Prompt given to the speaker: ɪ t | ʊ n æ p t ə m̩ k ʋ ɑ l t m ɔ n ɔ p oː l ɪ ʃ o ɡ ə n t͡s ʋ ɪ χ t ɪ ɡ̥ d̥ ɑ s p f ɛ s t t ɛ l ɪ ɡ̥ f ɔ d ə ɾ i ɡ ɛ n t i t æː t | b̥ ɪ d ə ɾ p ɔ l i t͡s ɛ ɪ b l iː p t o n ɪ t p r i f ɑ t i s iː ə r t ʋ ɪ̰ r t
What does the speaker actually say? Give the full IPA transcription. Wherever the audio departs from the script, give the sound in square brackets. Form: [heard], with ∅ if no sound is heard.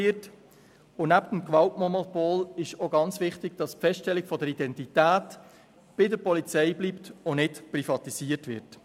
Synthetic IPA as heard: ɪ t | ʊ n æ p t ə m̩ k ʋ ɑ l t m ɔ n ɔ p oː l ɪ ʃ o ɡ [ɑ] n t͡s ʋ ɪ χ t ɪ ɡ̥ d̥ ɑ s p f ɛ s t t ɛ l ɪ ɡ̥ f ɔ d ə ɾ i [d] ɛ n t i t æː t | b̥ ɪ d ə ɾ p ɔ l i t͡s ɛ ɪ b l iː p t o n ɪ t p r i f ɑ t i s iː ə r t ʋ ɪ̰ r t